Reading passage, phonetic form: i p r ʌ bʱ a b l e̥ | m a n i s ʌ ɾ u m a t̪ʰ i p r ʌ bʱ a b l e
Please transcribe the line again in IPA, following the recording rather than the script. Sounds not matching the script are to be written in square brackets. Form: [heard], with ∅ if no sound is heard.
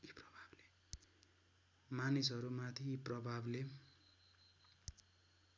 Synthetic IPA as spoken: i p r ʌ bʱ a b l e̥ | m a n i s ʌ ɾ u m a t̪ʰ i p r ʌ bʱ a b l e